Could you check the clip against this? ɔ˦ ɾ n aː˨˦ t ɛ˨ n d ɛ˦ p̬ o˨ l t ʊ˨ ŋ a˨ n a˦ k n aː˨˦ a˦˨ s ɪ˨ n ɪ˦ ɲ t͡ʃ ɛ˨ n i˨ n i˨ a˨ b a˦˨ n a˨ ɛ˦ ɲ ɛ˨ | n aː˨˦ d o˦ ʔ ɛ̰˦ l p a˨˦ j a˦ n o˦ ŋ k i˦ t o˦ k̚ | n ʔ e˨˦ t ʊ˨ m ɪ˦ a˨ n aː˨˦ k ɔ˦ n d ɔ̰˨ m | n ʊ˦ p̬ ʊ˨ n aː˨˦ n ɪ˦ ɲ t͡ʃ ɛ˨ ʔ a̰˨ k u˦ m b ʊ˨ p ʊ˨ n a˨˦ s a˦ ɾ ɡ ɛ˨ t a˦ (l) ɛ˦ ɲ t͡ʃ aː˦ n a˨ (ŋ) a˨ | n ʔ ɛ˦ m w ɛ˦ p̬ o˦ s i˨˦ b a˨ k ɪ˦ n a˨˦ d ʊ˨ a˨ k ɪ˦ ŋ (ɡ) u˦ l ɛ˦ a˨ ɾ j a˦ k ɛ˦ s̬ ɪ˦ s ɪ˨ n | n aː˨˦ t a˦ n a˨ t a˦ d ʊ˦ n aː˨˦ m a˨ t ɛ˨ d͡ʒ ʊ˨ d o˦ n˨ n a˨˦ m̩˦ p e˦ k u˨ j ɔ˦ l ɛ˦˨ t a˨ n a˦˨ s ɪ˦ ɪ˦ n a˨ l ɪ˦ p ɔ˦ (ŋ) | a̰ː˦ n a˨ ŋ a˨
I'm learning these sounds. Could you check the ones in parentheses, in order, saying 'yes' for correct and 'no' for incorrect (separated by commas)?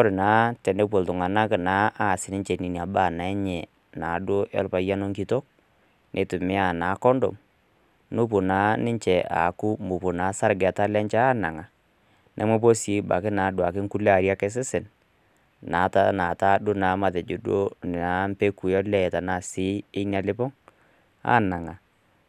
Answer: yes, yes, no, yes